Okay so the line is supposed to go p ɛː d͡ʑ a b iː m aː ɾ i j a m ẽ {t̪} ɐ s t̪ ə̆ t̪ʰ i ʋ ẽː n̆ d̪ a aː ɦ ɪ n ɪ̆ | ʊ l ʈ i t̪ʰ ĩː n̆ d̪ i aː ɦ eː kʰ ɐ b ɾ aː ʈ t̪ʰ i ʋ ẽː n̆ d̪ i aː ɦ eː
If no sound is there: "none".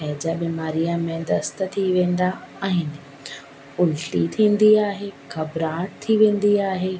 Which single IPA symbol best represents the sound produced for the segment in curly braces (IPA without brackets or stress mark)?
d̪